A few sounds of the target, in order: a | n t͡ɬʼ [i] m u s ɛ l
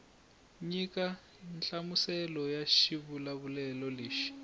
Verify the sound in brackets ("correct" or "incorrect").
incorrect